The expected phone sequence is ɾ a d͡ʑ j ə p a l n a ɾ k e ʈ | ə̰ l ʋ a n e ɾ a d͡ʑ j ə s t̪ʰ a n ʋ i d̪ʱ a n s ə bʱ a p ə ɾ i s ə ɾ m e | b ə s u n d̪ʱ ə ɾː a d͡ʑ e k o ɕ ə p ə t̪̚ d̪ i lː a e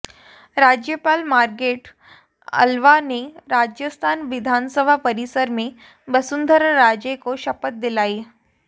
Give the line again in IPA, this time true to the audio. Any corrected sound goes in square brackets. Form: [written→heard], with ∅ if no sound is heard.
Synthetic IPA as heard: ɾ a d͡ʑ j ə p a l [n→m] a ɾ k e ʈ | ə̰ l ʋ a n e ɾ a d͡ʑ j ə s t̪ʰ a n ʋ i d̪ʱ a n s ə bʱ a p ə ɾ i s ə ɾ m e | b ə s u n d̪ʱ ə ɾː a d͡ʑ e k o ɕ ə p ə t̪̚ d̪ i [lː→l] a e